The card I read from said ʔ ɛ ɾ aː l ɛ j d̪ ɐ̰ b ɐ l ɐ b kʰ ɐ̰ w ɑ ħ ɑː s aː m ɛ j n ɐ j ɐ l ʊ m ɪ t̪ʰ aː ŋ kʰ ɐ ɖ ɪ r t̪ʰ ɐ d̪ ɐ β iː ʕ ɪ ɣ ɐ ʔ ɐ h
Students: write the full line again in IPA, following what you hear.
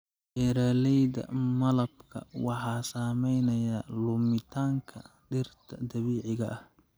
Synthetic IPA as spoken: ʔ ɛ ɾ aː l ɛ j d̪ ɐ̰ m ɐ l ɐ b kʰ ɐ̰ w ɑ ħ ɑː s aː m ɛ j n ɐ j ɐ l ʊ m ɪ t̪ʰ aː ŋ kʰ ɐ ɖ ɪ r t̪ʰ ɐ d̪ ɐ β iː ʕ ɪ ɣ ɐ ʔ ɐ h